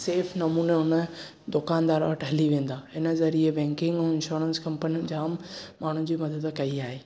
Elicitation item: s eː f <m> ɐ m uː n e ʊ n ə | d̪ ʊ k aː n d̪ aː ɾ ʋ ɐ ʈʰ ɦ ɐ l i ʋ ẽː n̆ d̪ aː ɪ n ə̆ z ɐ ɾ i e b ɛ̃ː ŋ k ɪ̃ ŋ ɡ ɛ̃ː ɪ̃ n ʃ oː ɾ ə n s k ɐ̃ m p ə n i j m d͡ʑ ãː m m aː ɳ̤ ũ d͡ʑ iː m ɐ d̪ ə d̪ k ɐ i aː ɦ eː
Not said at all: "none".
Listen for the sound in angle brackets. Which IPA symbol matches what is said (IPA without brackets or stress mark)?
n